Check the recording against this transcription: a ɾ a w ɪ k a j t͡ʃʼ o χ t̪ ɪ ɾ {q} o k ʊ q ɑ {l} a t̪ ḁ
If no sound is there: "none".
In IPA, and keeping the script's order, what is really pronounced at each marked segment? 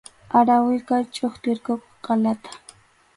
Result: k, l

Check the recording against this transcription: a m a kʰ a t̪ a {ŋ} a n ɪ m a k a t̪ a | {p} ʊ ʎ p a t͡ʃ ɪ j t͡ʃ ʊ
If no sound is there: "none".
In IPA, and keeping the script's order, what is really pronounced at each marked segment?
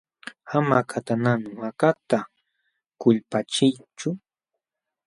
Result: n, k

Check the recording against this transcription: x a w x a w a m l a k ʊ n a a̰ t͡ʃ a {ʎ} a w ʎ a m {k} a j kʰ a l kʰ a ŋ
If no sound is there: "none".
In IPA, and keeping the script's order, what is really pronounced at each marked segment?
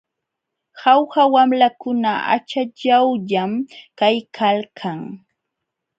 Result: ʎ, k

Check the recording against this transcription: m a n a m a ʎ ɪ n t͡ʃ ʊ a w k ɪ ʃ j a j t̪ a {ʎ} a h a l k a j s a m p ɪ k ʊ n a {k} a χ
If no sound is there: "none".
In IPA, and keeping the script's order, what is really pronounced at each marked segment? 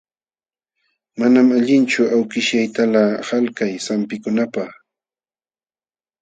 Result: l, p

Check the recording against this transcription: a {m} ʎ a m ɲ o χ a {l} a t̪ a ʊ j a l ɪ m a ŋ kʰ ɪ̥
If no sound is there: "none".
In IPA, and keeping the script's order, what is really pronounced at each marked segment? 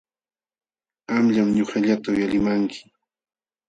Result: m, ʎ

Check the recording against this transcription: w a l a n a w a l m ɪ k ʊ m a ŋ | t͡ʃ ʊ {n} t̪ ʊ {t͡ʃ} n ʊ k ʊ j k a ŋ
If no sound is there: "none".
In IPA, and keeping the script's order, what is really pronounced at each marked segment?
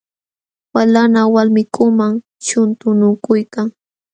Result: n, none

